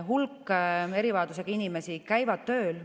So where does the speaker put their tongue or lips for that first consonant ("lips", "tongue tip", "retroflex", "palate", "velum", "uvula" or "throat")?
throat